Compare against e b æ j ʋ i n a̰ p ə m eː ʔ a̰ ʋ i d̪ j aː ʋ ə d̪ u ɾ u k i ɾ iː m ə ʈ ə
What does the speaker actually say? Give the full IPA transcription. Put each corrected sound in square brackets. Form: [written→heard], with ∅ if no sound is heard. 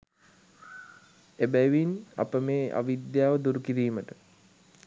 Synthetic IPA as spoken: e b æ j ʋ i n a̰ p ə m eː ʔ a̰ ʋ i d̪ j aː ʋ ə d̪ u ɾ u k i ɾ iː m ə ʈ ə